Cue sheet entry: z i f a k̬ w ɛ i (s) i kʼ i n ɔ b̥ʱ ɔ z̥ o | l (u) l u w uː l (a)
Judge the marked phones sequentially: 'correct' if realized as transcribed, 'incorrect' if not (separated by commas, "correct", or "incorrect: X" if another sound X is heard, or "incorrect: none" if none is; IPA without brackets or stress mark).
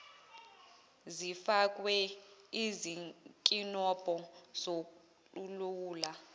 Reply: incorrect: z, correct, correct